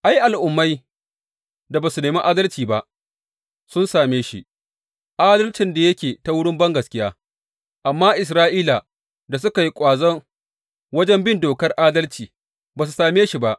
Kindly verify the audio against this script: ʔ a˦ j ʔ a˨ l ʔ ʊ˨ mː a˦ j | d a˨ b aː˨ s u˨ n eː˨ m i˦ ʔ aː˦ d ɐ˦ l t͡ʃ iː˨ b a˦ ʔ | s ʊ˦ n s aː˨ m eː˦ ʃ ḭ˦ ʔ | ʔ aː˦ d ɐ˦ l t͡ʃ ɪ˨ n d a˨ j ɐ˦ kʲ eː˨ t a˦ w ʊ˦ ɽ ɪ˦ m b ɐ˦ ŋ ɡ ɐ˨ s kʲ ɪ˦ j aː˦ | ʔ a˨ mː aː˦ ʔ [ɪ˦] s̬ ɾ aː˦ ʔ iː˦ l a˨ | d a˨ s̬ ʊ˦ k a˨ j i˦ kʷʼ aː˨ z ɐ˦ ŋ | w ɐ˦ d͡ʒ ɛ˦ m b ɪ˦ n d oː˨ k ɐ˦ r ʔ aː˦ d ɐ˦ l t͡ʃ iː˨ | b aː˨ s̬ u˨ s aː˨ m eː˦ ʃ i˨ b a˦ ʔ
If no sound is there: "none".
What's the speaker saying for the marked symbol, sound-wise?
ɪ˨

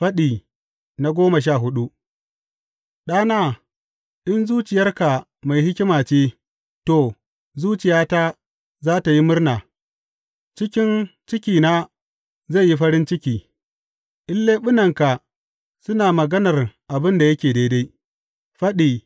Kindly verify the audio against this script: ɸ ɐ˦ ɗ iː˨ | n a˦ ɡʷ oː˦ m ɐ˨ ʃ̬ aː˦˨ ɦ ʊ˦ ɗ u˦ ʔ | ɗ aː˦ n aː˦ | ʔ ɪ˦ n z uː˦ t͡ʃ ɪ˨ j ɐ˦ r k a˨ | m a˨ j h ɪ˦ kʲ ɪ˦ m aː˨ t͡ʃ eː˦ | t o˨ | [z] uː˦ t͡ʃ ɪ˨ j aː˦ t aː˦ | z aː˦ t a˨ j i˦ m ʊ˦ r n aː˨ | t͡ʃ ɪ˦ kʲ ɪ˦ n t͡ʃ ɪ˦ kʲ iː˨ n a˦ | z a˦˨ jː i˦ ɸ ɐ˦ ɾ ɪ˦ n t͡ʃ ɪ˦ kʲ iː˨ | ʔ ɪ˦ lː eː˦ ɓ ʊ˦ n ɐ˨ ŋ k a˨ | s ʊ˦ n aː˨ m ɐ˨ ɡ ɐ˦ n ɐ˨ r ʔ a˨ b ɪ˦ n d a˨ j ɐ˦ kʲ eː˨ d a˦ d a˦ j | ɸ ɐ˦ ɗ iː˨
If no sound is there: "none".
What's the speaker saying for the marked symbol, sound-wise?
z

